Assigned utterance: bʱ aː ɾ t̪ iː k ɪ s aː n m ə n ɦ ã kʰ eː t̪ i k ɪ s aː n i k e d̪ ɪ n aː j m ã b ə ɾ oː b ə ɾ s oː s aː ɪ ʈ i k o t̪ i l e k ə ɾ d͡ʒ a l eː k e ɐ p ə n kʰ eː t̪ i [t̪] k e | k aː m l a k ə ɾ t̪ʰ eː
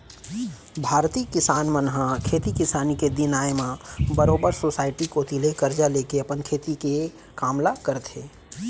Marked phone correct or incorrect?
incorrect